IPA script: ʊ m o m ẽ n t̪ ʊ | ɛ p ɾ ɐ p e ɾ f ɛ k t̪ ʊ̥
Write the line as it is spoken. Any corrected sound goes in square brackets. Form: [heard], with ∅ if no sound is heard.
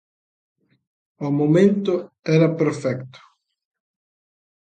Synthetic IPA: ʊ m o m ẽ n t̪ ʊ | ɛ [∅] ɾ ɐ p e ɾ f ɛ k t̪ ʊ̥